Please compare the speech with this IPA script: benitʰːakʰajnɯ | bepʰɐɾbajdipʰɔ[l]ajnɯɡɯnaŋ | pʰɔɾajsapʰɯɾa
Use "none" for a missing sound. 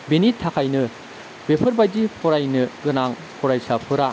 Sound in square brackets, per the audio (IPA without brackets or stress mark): ɾ